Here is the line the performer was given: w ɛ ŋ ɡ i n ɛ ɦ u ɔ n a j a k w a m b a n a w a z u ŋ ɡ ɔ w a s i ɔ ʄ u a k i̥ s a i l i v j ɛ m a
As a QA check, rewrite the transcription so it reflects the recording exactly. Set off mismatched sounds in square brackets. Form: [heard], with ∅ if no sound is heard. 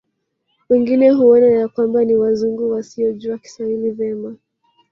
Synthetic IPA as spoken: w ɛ ŋ ɡ i n ɛ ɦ u ɔ n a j a k w a m b a n [i] w a z u ŋ ɡ [u] w a s i ɔ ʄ u a k i̥ s a i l i v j ɛ m a